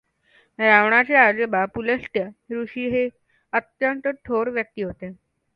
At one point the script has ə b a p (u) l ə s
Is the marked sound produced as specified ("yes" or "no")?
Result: yes